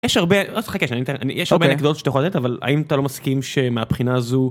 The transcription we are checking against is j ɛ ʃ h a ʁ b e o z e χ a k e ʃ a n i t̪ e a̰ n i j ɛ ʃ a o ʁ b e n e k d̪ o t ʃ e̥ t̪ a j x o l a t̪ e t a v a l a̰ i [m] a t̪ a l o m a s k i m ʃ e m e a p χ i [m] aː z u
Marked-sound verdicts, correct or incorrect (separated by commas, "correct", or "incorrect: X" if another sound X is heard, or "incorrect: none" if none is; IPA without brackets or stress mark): correct, incorrect: n